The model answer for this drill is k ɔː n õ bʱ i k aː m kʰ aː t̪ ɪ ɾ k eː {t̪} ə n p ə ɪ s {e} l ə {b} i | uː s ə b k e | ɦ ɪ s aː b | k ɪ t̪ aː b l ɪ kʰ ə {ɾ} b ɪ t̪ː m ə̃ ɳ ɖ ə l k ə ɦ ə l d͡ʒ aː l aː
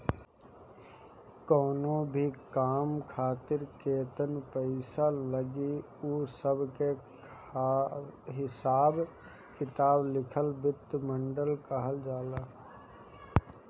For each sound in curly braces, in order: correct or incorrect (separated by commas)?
correct, incorrect, incorrect, incorrect